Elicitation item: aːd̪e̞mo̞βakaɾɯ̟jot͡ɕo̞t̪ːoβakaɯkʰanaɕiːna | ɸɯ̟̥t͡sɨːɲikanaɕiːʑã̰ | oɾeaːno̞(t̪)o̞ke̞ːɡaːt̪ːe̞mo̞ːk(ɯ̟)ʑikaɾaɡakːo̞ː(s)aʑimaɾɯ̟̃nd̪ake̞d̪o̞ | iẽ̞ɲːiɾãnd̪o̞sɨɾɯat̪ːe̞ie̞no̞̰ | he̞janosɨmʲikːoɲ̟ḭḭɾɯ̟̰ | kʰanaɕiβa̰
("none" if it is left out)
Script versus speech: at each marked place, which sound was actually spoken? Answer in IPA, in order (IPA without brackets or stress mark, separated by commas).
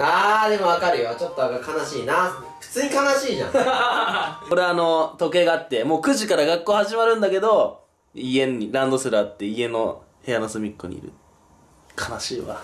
t̪, ɯ̟, h